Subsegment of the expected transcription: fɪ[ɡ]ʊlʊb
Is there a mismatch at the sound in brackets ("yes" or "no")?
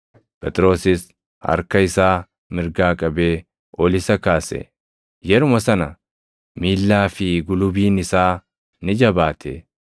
no